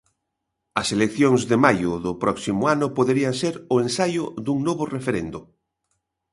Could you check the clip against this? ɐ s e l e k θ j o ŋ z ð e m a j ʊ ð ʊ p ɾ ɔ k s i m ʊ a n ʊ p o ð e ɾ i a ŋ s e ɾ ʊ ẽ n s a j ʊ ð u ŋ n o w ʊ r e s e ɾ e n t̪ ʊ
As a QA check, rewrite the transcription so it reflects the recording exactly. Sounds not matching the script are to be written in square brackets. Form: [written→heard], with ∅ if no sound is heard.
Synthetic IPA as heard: ɐ s e l e k θ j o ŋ z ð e m a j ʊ ð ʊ p ɾ ɔ k s i m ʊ a n ʊ p o ð e ɾ i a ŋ s e ɾ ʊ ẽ n s a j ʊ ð u ŋ n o [w→β] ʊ r e [s→f] e ɾ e n [t̪→d̪] ʊ